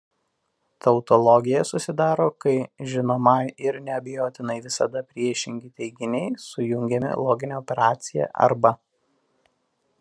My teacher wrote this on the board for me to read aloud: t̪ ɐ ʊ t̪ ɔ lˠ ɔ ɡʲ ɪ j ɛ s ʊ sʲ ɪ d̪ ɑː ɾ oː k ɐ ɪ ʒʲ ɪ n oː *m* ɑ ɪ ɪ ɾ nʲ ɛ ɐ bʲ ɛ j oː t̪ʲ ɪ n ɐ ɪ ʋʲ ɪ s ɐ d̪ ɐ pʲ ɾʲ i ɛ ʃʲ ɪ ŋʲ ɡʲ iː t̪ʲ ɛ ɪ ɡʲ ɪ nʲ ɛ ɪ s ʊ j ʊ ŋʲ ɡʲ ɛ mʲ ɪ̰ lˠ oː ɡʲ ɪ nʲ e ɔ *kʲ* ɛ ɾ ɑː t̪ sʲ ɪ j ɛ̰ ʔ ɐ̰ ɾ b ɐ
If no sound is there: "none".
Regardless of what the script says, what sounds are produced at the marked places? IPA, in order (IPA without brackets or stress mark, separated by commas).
m, pʲ